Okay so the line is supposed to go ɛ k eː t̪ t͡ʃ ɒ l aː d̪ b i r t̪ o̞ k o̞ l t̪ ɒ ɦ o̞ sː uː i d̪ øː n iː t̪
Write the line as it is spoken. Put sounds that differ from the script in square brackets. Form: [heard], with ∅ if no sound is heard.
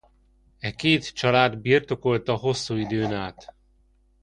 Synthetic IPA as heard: ɛ k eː t̪ t͡ʃ ɒ l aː d̪ b i r t̪ o̞ k o̞ l t̪ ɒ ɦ o̞ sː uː i d̪ øː n [aː] t̪